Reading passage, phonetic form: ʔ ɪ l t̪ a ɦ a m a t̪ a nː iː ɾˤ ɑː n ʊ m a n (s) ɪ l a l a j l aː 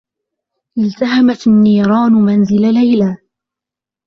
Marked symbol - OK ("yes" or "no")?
no